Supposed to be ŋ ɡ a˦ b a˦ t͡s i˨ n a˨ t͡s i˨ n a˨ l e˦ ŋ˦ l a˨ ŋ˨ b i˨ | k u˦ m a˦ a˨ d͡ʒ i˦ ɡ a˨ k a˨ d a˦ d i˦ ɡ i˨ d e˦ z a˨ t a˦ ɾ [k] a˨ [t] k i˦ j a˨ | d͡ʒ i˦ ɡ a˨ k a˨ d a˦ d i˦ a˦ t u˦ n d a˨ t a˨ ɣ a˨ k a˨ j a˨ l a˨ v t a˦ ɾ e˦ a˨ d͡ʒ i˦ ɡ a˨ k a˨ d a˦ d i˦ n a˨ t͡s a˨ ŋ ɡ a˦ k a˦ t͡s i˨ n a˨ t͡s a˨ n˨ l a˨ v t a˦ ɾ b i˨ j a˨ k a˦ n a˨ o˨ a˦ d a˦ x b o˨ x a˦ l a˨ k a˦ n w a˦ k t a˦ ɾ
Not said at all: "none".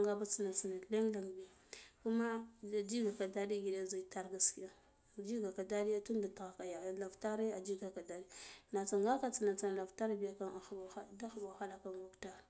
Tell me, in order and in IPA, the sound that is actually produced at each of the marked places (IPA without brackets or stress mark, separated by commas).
ɡ, s